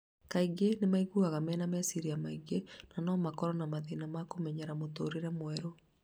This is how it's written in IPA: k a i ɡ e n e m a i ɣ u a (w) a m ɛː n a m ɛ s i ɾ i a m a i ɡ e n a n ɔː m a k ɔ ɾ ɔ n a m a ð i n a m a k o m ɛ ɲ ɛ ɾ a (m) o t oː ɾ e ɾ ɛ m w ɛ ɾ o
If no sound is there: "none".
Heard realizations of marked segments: ɣ, m

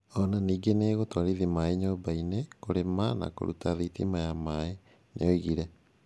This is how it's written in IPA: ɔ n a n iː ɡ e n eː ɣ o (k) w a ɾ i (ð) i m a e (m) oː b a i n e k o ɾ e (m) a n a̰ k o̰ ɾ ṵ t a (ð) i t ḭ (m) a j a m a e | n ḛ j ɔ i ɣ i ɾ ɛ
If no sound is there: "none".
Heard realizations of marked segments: t, ð, ɲ, m, ð, m

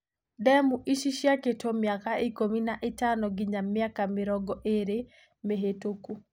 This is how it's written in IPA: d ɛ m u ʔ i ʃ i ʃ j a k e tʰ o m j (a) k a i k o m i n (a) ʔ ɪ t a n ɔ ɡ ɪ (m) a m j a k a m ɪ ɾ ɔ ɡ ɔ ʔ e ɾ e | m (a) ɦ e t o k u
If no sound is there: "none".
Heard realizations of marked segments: a, a, ɲ, e

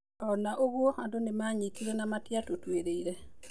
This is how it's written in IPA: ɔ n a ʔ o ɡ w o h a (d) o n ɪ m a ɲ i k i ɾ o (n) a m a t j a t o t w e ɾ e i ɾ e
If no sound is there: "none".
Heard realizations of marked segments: d, n

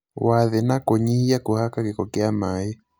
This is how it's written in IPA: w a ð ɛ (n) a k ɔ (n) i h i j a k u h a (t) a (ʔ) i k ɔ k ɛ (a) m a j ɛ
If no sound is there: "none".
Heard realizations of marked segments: n, ɲ, k, k, a

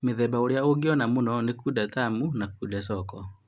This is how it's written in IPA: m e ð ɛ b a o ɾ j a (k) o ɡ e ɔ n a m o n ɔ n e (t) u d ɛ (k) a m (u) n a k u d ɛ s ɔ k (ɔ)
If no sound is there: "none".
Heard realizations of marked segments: none, k, t, u, ɔ

